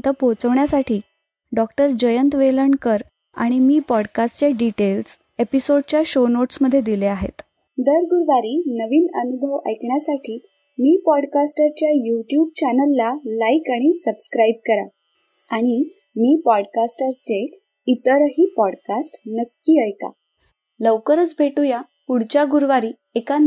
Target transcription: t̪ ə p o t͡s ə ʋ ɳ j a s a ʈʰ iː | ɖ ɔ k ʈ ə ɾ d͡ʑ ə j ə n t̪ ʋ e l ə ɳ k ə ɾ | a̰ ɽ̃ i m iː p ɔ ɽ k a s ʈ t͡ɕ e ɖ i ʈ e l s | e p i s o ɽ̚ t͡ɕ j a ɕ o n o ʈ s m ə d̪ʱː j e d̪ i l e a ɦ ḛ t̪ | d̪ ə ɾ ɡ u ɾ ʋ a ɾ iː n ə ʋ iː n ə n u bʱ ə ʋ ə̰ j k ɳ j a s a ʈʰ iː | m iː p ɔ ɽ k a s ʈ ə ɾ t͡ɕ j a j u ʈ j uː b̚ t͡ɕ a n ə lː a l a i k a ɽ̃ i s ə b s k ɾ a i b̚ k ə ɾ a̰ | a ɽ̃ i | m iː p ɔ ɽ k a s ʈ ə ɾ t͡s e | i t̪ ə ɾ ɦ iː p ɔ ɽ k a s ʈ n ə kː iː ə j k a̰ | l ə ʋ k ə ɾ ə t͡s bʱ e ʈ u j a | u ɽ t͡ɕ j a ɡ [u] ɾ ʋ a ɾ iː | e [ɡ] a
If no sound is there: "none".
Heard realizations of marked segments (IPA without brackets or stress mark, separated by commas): u, k